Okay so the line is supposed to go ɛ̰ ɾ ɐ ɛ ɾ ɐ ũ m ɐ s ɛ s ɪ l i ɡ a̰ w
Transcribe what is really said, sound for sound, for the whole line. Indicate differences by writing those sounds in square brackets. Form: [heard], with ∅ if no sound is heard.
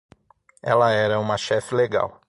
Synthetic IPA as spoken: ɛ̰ [l] ɐ ɛ ɾ ɐ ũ m ɐ [ʃ] ɛ [f] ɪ l [e] ɡ a̰ w

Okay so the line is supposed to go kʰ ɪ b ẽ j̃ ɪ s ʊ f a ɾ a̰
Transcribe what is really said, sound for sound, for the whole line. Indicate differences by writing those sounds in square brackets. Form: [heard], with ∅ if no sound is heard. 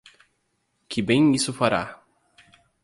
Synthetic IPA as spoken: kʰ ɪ b ẽ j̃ [i] s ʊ f a ɾ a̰

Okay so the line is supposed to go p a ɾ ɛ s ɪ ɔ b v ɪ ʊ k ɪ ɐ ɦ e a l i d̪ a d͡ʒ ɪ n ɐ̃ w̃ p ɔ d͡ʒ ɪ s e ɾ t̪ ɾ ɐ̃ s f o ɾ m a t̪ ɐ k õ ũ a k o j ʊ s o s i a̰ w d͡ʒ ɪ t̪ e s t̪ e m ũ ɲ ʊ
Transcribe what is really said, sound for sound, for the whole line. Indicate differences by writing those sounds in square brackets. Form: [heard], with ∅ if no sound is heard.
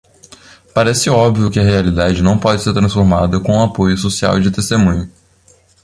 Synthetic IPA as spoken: p a ɾ ɛ s ɪ ɔ b v [i] ʊ k ɪ ɐ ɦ e a l i d̪ a d͡ʒ ɪ n ɐ̃ w̃ p ɔ d͡ʒ ɪ s e ɾ t̪ ɾ ɐ̃ s f o ɾ m a [d̪] ɐ k õ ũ a [p] o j ʊ s o s i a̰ w d͡ʒ ɪ t̪ e s t̪ e m ũ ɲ ʊ

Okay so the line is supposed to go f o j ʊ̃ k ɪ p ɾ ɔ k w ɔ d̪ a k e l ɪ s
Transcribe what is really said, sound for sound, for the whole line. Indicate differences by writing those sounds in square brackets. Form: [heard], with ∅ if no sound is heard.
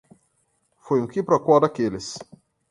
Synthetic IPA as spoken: f o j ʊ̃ k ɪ p ɾ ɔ k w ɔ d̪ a k e l ɪ s

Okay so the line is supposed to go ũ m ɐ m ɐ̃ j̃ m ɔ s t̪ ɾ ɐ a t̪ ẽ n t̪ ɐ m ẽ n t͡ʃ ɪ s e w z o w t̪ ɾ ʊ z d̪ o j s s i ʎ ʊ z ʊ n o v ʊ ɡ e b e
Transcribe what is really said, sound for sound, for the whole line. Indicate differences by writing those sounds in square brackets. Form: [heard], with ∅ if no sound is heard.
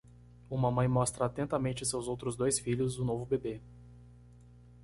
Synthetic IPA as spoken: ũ m ɐ m ɐ̃ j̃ m ɔ s t̪ ɾ ɐ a t̪ ẽ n t̪ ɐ m ẽ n t͡ʃ ɪ s e w z o w t̪ ɾ ʊ z d̪ o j s [f] i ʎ ʊ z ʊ n o v ʊ [b] e b e

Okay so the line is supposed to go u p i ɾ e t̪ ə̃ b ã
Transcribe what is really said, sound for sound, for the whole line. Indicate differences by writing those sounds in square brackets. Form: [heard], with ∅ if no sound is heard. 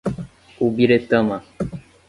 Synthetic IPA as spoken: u [b] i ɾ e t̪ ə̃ [m] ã

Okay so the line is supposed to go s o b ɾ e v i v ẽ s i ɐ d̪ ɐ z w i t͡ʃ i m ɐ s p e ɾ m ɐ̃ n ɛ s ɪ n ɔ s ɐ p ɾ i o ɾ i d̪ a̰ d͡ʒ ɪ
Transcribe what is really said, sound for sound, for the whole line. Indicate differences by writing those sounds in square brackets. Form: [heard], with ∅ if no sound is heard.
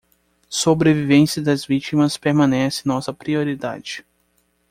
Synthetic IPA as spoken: s o b ɾ e v i v ẽ s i ɐ d̪ ɐ z [v] i t͡ʃ i m ɐ s p e ɾ m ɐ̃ n ɛ s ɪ n ɔ s ɐ p ɾ i o ɾ i d̪ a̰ d͡ʒ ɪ

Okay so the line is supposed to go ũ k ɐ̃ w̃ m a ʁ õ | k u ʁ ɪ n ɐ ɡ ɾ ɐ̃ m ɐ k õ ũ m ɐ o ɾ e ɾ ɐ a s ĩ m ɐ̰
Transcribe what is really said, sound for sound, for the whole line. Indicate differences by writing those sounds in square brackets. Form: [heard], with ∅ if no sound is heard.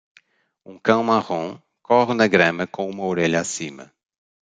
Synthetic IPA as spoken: ũ k ɐ̃ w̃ m a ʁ õ | k [ɔ] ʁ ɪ n ɐ ɡ ɾ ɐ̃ m ɐ k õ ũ m ɐ o ɾ e [ʎ] ɐ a s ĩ m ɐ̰

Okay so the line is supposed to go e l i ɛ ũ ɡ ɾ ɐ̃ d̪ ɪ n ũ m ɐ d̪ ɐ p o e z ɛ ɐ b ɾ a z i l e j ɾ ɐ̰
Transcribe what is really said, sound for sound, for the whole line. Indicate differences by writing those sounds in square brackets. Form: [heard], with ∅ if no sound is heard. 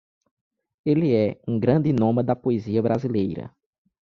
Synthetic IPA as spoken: e l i ɛ ũ ɡ ɾ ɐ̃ d̪ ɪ n [õ] m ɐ d̪ ɐ p o e z [i] ɐ b ɾ a z i l e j ɾ ɐ̰

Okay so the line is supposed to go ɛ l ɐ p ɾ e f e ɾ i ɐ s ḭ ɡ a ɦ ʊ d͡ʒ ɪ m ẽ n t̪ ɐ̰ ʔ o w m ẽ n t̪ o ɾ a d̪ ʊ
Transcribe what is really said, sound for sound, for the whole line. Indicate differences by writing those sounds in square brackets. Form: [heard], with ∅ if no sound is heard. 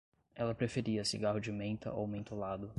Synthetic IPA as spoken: ɛ l ɐ p ɾ e f e ɾ i ɐ s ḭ ɡ a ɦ ʊ d͡ʒ ɪ m ẽ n t̪ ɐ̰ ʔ o w m ẽ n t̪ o [l] a d̪ ʊ

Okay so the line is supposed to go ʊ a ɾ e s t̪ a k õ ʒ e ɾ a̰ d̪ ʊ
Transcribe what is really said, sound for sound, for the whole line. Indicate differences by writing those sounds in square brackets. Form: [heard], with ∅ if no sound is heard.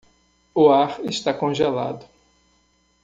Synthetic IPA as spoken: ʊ a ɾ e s t̪ a k õ ʒ e [l] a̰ d̪ ʊ

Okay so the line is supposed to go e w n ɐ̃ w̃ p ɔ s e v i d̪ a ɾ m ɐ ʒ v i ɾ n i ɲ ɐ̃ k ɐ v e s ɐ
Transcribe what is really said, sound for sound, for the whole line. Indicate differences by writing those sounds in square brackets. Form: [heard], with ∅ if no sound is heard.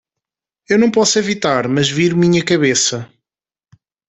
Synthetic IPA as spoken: e w n ɐ̃ w̃ p ɔ s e v i [t̪] a ɾ m ɐ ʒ v i ɾ [m] i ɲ [ɐ] k ɐ [β] e s ɐ

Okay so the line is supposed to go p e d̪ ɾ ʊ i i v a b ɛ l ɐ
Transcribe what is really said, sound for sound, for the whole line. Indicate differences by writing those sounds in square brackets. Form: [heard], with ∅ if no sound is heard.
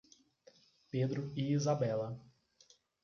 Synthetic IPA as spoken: p e d̪ ɾ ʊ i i [z] a b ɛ l ɐ

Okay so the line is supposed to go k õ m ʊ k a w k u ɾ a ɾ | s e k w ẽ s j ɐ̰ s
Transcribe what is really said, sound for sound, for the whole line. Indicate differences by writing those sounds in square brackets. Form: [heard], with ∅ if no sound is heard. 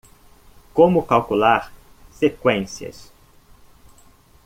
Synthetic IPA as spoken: k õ m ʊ k a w k u [l] a ɾ | s e k w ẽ s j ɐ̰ s

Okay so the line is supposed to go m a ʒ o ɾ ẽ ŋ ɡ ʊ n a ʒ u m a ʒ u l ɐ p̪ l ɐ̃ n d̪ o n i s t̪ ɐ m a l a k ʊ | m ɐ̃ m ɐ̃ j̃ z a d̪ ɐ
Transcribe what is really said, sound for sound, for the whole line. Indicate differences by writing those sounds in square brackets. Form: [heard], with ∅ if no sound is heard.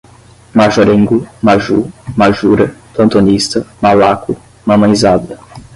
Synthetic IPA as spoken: m a ʒ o ɾ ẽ ŋ ɡ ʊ [m] a ʒ u m a ʒ u [ɾ] ɐ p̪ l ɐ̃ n [t̪] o n i s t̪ ɐ m a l a k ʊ | m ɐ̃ m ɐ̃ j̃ z a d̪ ɐ

